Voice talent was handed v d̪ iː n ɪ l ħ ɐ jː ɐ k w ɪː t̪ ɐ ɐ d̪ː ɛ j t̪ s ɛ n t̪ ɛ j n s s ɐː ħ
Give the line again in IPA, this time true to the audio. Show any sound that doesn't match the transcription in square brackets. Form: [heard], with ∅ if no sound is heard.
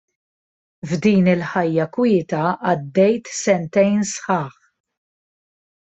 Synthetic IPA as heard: v d̪ iː n ɪ l ħ ɐ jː ɐ k w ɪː t̪ ɐ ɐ d̪ː ɛ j t̪ s ɛ n t̪ ɛ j n s [ħ] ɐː ħ